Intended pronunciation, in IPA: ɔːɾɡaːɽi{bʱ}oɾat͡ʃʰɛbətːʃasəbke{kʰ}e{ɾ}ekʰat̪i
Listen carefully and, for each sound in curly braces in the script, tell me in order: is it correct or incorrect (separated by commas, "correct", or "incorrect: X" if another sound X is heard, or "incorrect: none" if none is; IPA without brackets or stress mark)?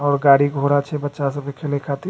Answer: incorrect: ɡʱ, correct, incorrect: l